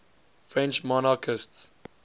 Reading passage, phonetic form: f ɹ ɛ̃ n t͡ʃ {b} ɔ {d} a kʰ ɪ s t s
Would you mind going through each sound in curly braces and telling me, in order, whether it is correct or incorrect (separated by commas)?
incorrect, incorrect